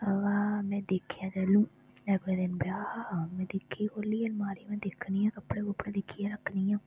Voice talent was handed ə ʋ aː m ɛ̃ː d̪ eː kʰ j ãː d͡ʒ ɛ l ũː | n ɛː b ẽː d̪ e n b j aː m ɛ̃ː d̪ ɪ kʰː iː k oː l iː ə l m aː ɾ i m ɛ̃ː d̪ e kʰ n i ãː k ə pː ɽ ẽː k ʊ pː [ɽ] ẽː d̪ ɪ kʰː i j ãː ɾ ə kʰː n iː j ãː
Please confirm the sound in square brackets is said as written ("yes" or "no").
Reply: yes